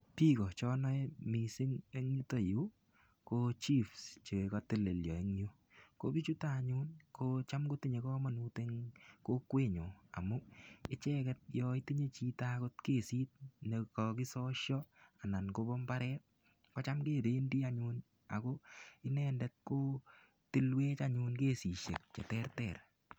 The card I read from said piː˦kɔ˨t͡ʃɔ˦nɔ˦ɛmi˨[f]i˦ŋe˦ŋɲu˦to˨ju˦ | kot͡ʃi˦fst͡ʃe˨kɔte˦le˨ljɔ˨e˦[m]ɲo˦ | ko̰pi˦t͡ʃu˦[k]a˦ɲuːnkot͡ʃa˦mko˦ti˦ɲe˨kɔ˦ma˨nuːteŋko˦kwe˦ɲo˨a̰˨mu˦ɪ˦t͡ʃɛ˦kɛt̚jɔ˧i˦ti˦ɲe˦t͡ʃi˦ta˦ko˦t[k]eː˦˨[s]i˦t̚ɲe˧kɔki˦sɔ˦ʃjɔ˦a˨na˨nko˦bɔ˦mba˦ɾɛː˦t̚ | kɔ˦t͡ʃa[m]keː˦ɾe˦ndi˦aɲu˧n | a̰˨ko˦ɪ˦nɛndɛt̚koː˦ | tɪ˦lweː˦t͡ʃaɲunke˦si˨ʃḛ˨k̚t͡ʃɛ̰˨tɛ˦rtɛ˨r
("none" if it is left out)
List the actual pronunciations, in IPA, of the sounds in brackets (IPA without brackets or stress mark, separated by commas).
s, ŋ, t, k, s, m